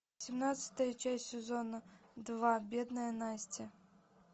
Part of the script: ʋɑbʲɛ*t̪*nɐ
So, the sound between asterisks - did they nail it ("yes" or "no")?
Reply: no